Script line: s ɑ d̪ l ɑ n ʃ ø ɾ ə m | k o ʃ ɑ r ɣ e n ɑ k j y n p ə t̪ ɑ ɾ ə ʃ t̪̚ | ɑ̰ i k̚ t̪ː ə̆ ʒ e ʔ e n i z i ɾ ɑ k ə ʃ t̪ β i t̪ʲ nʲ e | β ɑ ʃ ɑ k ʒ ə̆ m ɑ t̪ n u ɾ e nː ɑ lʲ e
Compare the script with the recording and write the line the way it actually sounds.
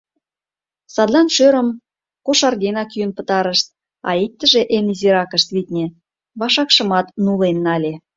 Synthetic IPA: s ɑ d̪ l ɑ n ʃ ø ɾ ə m | k o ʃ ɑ r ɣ e n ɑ k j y n p ə t̪ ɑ ɾ ə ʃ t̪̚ | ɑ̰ i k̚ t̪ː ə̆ ʒ e ʔ e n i z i ɾ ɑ k ə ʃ t̪ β i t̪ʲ nʲ e | β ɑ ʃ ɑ k ʃ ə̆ m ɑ t̪ n u l e nː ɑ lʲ e